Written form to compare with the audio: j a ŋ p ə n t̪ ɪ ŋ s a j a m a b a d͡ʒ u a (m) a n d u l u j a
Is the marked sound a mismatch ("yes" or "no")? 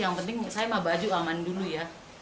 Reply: no